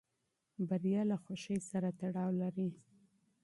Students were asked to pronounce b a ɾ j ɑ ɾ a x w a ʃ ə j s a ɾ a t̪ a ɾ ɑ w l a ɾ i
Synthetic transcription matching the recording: b a ɾ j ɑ l a x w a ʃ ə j s a ɾ a t̪ a ɽ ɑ w l a ɾ i